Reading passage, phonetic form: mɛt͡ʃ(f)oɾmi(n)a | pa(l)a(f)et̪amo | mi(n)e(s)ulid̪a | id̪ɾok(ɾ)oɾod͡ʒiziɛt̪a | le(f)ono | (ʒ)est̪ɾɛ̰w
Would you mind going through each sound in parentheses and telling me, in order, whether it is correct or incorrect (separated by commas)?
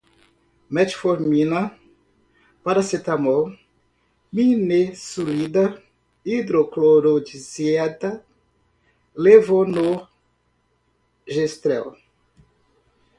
correct, correct, incorrect, incorrect, correct, correct, incorrect, incorrect, correct